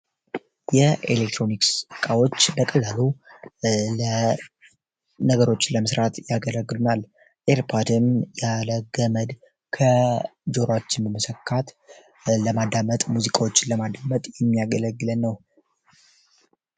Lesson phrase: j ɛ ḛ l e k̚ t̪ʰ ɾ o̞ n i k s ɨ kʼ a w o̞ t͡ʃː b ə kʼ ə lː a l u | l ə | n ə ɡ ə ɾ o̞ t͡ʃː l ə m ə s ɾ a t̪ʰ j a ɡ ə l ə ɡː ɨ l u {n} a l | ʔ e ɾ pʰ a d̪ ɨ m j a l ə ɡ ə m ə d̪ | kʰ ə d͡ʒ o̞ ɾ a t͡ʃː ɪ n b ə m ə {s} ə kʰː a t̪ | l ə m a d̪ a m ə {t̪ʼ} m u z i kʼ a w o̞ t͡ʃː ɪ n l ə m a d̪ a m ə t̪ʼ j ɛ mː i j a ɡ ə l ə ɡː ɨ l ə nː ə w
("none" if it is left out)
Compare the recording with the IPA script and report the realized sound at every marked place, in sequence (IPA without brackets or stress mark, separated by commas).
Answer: n, s, t̪ʼ